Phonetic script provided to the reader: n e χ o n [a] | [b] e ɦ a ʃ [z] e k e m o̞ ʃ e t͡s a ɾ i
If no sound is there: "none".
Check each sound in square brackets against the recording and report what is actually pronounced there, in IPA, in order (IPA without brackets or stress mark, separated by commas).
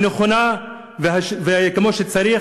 a, v, v